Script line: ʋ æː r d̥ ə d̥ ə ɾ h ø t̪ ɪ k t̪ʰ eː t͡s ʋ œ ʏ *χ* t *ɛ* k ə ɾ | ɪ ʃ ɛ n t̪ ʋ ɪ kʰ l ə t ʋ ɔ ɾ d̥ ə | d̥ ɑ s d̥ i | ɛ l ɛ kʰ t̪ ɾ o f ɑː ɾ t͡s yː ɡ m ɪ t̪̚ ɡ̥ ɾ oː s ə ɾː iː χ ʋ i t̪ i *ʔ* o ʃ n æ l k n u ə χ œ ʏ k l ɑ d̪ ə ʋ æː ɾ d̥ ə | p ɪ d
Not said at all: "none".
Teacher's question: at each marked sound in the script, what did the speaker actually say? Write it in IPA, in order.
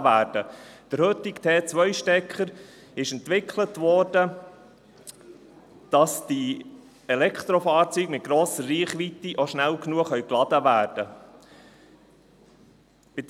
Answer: ʃ, ɛ, ʔ

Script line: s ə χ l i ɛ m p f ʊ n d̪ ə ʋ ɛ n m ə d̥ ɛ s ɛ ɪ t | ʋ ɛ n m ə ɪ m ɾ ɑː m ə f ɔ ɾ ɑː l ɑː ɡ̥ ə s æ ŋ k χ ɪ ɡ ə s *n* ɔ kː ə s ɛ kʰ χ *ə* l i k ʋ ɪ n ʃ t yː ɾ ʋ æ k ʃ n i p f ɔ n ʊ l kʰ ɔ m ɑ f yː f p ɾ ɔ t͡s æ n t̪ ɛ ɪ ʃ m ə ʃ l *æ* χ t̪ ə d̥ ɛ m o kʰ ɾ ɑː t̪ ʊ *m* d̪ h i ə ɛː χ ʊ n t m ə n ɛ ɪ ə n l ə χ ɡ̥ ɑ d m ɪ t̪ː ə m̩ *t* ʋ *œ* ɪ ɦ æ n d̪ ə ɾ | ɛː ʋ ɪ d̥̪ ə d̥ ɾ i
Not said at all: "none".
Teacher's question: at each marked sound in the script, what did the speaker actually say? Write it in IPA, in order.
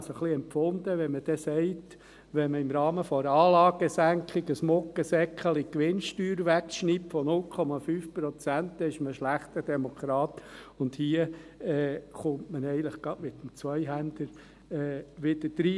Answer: m, ə, æ, n, t͡s, œ

